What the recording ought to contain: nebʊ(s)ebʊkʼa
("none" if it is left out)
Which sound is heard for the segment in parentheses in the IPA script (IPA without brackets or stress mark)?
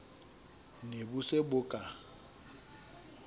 s